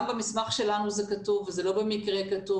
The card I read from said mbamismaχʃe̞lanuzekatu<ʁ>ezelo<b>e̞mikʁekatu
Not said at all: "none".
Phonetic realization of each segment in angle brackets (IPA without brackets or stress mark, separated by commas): v, b